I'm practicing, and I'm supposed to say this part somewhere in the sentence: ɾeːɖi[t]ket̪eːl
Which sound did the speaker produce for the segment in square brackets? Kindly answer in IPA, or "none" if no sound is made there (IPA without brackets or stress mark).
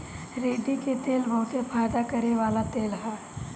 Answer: t